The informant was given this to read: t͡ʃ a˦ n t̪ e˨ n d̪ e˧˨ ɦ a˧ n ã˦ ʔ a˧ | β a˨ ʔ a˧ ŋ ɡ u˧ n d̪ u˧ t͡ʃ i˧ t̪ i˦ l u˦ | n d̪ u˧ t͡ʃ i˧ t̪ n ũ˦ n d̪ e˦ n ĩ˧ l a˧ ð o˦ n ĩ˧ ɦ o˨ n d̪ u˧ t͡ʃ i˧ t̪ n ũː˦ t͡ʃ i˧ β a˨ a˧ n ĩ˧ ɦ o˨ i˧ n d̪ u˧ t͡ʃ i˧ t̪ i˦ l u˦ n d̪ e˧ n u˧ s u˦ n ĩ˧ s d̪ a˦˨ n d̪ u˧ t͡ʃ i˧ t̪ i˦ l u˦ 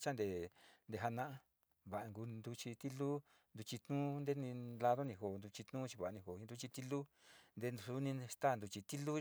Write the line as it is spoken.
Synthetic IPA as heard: t͡ʃ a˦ n d̪ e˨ n d̪ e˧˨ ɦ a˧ n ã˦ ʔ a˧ | β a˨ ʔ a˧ ŋ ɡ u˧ n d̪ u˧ t͡ʃ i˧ t̪ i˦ l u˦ | n d̪ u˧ t͡ʃ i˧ t̪ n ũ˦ n d̪ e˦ n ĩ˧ l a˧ ð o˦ n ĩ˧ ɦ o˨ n d̪ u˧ t͡ʃ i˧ t̪ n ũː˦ t͡ʃ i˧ β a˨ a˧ n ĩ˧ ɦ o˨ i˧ n d̪ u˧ t͡ʃ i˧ t̪ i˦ l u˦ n d̪ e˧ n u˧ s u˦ n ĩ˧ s t̪ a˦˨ n d̪ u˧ t͡ʃ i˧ t̪ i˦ l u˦